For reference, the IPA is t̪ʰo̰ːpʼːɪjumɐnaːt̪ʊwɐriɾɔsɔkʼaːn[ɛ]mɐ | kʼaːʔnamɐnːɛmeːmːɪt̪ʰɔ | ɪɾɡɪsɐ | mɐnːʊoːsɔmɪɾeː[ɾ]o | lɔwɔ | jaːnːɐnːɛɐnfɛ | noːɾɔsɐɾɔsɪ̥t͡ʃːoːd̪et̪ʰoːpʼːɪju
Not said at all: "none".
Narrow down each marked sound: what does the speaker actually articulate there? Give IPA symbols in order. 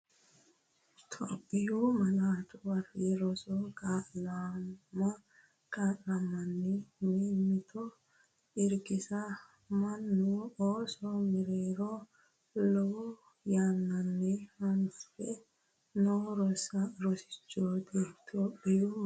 a, ɾ

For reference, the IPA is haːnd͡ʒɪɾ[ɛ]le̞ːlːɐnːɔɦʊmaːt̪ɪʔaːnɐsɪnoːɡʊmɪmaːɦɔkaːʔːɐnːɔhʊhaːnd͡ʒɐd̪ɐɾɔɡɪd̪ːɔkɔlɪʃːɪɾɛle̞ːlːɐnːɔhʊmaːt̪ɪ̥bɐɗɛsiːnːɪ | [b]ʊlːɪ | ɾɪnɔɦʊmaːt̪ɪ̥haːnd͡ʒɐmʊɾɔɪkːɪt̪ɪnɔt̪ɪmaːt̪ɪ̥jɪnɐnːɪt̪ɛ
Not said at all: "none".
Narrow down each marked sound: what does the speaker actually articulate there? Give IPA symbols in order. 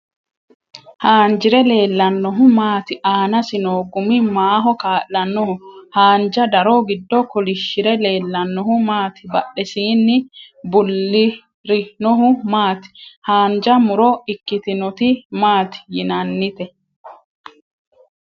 ɛ, b

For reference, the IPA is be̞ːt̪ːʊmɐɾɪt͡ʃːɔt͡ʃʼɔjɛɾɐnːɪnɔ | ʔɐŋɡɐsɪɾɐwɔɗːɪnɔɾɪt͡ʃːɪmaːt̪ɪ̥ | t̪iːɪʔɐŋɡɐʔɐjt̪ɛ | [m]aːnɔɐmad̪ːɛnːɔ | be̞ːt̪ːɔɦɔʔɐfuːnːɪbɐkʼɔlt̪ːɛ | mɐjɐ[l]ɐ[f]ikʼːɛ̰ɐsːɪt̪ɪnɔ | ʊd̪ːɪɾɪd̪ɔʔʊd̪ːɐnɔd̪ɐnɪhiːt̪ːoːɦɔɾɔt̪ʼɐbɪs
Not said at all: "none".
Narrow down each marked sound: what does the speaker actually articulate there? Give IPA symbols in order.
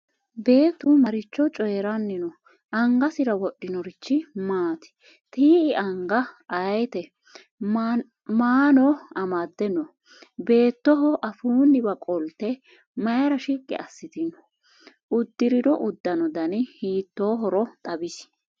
m, ɾ, ʃ

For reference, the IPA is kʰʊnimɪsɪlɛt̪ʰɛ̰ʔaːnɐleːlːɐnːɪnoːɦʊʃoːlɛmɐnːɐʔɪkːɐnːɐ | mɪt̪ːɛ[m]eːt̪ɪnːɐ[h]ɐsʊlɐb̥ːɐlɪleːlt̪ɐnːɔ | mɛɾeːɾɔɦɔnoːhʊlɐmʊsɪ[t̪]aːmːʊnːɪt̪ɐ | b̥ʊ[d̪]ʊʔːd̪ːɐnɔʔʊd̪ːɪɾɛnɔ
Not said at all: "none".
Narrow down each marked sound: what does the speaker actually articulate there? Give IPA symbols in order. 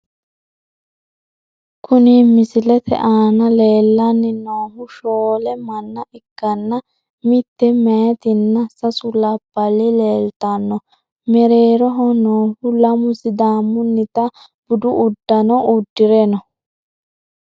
m, s, d̪, d̪

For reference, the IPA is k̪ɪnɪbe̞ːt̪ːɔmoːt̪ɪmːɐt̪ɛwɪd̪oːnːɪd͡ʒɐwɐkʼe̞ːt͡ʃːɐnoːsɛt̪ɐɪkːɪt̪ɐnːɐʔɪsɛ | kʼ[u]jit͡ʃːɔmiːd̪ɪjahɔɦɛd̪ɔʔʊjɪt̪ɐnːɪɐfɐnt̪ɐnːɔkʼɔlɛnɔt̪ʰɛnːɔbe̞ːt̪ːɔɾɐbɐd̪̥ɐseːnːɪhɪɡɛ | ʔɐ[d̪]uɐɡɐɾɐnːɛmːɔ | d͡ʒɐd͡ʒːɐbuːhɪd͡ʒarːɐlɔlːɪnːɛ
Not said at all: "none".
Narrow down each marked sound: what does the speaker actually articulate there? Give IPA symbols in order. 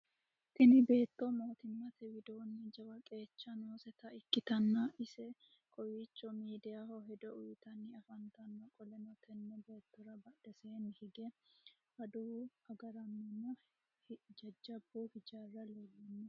ɔ, d̪

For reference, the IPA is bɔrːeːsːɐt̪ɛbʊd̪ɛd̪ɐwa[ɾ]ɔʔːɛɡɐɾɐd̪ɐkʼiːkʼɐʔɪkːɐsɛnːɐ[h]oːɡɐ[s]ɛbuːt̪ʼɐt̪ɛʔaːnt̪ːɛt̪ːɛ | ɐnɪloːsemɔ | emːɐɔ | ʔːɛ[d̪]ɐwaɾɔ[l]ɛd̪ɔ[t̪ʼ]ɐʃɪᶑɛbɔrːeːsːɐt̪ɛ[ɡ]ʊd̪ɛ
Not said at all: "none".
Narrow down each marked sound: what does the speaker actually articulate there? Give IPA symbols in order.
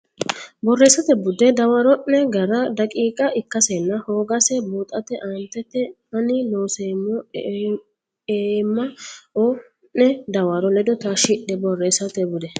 ɾ, h, s, d̪, l, t̪, b

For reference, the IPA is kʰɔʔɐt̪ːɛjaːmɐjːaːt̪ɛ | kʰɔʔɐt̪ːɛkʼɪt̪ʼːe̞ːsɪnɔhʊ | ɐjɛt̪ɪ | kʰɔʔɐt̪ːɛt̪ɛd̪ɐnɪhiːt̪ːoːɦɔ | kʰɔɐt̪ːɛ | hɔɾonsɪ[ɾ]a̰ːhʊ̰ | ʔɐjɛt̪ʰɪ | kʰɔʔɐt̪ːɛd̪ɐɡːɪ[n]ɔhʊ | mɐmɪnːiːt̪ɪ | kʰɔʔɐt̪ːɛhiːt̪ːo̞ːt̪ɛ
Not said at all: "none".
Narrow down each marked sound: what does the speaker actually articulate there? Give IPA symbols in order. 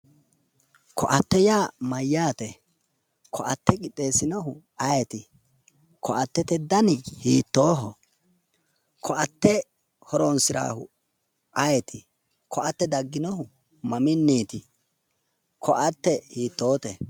ɾ, n

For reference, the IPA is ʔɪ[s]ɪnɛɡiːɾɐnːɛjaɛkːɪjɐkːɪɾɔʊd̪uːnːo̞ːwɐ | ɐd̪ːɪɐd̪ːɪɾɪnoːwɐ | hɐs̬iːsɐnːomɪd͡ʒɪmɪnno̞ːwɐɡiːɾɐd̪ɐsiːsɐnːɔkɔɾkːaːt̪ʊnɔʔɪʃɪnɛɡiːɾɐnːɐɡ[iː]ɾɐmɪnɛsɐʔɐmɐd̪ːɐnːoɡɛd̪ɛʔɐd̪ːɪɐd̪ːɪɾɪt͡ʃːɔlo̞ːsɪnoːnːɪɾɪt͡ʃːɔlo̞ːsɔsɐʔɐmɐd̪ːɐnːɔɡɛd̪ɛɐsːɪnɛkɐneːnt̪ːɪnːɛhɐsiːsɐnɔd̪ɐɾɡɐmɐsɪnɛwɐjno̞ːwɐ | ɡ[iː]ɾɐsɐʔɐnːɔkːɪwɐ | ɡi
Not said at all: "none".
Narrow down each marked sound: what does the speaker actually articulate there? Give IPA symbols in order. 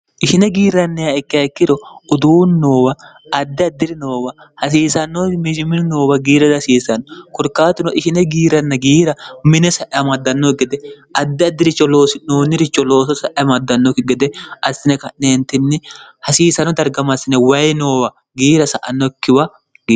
ʃ, iː, iː

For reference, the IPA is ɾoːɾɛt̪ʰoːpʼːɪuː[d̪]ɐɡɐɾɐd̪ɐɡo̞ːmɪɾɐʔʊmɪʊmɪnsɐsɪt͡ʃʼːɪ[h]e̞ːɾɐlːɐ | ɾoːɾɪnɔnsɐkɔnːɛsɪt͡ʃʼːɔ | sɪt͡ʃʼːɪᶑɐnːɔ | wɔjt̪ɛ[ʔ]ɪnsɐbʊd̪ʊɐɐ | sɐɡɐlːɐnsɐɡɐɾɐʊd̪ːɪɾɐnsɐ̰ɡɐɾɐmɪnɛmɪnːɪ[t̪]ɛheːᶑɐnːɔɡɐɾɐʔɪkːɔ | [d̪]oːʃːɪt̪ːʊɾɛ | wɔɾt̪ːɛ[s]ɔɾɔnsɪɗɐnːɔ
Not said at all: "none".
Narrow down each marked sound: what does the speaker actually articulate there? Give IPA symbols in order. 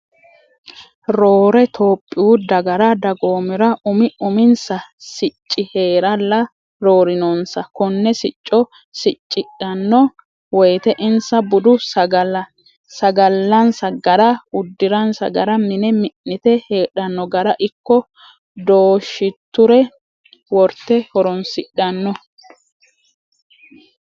d̪, h, ʔ, t̪, d̪, h

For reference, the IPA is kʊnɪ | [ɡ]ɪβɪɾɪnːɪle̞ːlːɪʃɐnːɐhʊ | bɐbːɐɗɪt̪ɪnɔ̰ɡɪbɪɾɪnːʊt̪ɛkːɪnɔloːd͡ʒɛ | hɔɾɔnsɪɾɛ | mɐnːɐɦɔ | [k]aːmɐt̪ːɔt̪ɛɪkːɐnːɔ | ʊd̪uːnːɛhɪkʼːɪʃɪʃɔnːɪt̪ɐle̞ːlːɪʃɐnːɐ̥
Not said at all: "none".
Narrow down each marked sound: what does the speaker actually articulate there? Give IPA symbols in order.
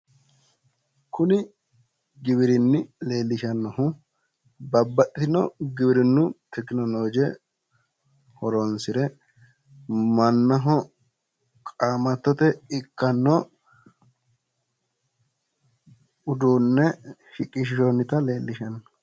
ɡ, kʼ

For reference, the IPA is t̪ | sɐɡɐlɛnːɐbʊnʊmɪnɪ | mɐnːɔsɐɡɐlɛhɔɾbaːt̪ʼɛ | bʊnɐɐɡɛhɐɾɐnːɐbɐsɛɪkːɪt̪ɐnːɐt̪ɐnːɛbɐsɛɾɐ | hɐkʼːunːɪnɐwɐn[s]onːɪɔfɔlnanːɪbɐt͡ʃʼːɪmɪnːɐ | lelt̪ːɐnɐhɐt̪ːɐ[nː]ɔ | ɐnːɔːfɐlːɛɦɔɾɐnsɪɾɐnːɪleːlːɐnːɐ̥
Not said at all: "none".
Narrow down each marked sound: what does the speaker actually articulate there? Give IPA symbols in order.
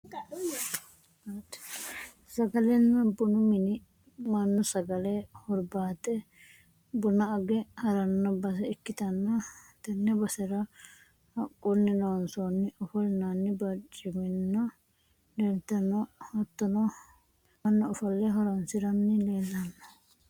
s, n

